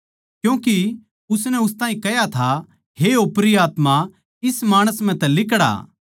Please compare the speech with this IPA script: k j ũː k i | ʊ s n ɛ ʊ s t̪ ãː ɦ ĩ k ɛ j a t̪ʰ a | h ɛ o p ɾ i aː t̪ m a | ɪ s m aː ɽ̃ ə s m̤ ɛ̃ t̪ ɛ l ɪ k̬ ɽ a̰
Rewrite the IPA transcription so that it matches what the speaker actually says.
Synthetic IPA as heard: k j ũː k i | ʊ s n ɛ ʊ s t̪ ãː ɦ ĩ k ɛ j a t̪ʰ a | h e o p ɾ i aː t̪ m a | ɪ s m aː ɽ̃ ə s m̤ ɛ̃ t̪ ɛ l ɪ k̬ ɽ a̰